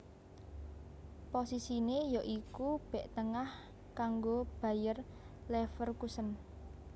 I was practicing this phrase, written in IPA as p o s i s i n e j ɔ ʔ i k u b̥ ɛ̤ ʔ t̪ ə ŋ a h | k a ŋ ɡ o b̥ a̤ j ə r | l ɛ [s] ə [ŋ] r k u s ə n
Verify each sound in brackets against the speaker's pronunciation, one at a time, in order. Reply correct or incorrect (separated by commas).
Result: incorrect, incorrect